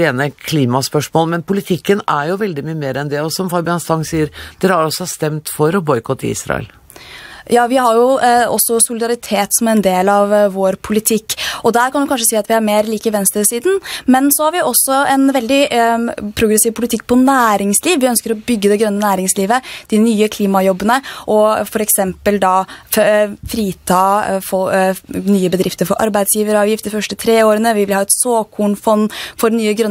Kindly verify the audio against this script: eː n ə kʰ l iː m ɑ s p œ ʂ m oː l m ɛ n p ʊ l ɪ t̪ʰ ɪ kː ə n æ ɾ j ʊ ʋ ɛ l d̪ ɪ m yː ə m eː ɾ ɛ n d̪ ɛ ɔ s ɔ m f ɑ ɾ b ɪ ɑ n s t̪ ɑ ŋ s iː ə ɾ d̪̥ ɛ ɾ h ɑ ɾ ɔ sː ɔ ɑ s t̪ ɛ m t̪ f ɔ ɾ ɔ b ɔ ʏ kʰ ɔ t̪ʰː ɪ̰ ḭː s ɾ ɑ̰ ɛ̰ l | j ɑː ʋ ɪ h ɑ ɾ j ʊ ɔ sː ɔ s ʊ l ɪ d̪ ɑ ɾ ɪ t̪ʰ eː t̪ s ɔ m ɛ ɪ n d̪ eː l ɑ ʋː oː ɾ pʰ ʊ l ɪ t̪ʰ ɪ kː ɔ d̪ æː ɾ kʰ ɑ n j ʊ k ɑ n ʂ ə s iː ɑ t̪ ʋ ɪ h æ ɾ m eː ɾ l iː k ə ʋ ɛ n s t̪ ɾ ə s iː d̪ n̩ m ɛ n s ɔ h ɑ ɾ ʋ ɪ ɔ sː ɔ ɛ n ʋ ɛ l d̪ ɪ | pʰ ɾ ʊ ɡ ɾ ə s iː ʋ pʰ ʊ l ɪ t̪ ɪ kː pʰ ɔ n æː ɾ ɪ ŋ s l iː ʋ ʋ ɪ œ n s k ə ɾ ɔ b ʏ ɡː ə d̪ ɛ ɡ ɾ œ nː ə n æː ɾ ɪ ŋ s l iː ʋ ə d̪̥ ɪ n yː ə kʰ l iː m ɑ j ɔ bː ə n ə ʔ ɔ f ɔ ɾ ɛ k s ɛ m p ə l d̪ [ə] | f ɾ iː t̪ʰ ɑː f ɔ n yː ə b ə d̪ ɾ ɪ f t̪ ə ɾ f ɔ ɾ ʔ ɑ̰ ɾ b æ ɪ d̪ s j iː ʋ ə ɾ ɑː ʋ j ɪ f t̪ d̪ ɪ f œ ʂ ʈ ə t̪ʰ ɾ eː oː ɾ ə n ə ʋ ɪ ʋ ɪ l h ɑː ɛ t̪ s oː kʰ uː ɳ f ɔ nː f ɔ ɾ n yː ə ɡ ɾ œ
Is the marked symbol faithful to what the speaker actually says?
no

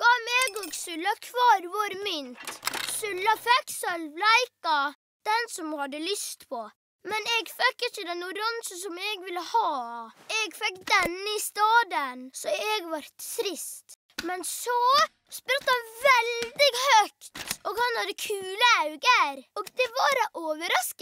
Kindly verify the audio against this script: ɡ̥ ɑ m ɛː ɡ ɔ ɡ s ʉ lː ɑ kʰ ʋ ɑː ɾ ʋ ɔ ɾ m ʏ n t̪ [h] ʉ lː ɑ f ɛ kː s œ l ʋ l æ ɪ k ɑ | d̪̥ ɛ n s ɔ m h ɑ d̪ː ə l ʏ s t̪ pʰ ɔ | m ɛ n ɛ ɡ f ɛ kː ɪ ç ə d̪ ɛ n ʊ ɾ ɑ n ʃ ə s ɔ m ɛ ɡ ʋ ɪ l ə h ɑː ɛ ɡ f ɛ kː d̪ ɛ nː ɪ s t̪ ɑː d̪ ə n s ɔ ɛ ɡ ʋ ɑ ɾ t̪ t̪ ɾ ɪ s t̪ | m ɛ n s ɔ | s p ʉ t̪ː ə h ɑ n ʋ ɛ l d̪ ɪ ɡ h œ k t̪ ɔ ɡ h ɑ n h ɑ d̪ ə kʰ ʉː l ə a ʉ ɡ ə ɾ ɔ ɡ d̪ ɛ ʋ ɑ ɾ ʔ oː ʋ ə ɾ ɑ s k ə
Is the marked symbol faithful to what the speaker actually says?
no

